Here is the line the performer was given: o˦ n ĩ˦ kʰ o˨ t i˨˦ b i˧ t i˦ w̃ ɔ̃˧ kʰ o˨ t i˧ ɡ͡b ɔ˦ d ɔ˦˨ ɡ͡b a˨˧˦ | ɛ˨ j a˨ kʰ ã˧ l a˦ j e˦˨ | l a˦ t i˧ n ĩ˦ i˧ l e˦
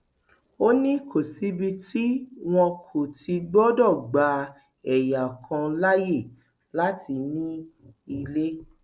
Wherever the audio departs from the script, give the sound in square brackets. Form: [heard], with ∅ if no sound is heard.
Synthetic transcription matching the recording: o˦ n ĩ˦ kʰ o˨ [s] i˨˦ b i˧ t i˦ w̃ ɔ̃˧ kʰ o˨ t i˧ ɡ͡b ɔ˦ d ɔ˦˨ ɡ͡b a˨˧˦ | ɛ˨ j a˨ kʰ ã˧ l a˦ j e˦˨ | l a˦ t i˧ n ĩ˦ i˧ l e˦